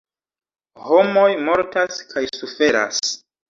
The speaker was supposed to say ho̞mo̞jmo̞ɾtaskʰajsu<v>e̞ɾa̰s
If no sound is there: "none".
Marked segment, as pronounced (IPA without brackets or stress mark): f